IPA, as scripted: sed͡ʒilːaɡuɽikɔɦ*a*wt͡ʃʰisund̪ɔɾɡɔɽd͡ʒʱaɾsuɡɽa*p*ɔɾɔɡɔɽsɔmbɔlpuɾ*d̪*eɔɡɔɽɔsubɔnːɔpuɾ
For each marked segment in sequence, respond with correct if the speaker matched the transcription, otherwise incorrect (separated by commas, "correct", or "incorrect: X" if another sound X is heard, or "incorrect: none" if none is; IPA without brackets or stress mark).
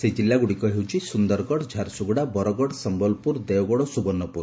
incorrect: e, incorrect: b, correct